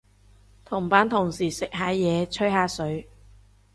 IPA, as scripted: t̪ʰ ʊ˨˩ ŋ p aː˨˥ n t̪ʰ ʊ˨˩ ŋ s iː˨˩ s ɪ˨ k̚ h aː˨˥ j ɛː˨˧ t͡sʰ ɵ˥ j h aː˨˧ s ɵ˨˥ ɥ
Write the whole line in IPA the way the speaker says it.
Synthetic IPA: t̪ʰ ʊ˨˩ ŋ p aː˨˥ n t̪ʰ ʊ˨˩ ŋ s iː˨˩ s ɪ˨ k̚ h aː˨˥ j ɛː˨˧ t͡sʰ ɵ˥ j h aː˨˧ s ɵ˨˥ ɥ